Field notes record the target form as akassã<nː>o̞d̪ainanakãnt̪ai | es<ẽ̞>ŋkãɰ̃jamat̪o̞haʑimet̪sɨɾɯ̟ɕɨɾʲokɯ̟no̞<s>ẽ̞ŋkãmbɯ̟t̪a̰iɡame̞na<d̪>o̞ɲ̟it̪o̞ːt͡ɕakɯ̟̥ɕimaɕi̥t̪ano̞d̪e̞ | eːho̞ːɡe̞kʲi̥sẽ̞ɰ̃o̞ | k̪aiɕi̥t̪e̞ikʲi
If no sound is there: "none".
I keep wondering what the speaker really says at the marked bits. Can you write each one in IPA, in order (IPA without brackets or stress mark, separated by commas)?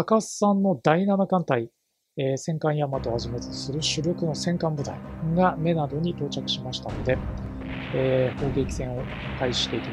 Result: nː, ẽ̞, s, d̪